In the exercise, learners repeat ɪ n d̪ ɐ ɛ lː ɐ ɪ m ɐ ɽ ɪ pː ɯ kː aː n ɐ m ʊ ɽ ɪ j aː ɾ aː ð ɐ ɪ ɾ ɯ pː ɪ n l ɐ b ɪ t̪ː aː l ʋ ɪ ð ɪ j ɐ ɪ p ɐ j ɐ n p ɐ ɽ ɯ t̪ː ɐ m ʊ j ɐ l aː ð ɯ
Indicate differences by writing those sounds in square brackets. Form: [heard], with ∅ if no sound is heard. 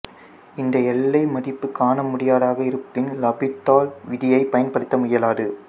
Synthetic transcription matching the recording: ɪ n d̪ ɐ ɛ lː ɐ ɪ m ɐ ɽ ɪ pː ɯ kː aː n ɐ m ʊ ɽ ɪ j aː [ɽ] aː [ɣ] ɐ ɪ ɾ ɯ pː ɪ n l ɐ b ɪ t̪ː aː l ʋ ɪ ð ɪ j ɐ ɪ p ɐ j ɐ n p ɐ ɽ ɯ t̪ː ɐ m ʊ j ɐ l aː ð ɯ